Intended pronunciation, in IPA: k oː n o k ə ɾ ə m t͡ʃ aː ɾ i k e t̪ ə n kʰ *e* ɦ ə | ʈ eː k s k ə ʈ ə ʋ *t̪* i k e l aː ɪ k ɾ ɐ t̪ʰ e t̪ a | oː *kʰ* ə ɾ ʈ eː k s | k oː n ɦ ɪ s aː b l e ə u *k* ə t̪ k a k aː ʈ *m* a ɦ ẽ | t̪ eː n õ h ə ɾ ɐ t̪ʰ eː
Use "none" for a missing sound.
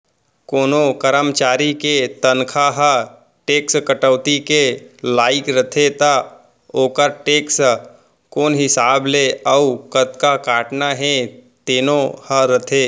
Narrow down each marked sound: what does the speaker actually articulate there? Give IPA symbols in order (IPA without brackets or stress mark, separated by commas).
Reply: a, t̪, k, k, n